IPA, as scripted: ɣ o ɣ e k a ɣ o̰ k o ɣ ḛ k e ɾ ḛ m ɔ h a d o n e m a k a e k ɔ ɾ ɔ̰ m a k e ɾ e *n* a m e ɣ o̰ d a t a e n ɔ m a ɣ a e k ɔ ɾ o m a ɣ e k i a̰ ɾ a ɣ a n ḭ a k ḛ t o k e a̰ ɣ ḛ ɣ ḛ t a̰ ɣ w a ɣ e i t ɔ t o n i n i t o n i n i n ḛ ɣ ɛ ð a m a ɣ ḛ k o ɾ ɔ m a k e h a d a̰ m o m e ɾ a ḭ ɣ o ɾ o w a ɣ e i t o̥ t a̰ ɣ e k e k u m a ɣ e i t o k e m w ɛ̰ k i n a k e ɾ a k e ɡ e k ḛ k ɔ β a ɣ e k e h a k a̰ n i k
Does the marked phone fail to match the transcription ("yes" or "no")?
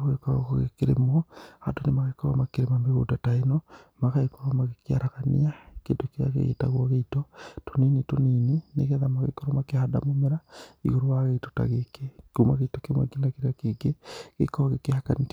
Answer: yes